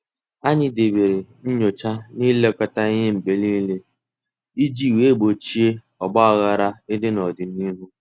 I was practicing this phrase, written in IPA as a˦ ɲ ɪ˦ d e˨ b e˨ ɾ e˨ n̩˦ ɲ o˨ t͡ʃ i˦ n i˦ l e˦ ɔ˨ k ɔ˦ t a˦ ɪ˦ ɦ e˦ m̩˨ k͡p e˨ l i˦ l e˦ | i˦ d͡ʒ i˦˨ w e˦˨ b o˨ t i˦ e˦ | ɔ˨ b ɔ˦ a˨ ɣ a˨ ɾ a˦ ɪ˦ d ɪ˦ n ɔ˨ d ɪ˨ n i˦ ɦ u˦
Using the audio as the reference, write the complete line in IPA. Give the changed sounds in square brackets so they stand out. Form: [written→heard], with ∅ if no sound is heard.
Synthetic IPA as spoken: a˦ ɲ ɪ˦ d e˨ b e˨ ɾ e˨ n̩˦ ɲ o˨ t͡ʃ [i˦→a˦] n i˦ l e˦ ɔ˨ k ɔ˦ t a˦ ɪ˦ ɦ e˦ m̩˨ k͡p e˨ l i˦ l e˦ | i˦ d͡ʒ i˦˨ w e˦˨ b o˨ [t→t͡ʃ] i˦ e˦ | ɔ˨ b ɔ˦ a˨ ɣ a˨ ɾ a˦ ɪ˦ d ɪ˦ n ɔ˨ d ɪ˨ n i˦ ɦ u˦